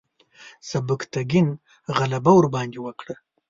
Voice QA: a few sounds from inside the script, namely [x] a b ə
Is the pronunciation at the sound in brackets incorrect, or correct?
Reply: incorrect